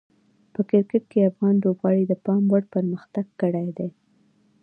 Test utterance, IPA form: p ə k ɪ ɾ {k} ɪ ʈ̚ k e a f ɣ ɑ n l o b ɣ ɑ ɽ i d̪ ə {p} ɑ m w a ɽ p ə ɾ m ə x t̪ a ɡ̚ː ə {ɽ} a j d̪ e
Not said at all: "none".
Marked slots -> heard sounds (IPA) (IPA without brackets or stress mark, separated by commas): k, p, ɽ